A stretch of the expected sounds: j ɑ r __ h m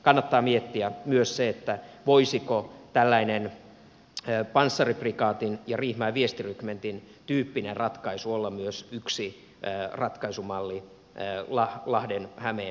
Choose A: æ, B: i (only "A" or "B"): B